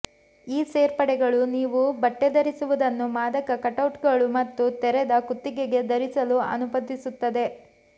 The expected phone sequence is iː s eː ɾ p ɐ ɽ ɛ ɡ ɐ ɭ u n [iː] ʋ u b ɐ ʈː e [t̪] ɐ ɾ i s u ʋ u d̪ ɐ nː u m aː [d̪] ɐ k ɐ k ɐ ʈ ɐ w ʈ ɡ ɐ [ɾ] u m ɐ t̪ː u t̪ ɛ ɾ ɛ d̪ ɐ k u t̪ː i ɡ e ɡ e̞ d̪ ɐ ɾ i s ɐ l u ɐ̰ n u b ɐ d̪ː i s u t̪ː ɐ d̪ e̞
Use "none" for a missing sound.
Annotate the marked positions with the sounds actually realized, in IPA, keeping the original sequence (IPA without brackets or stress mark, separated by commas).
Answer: iː, d̪, d̪, ɭ